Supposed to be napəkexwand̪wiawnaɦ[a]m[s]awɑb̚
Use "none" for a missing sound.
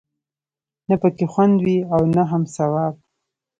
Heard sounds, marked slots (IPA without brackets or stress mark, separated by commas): a, s